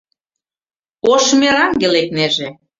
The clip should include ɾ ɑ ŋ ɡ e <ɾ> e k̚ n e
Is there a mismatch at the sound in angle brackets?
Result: yes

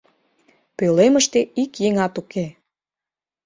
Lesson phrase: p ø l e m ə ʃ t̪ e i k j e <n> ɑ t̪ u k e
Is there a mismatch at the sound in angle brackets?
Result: yes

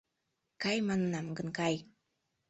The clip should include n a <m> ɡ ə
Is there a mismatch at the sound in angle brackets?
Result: no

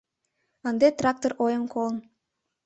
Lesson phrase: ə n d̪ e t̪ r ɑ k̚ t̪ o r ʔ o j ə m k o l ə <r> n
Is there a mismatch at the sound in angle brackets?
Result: yes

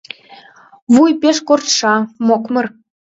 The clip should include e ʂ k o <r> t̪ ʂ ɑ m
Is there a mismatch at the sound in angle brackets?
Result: no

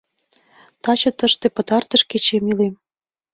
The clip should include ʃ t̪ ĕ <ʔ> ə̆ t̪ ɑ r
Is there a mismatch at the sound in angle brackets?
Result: yes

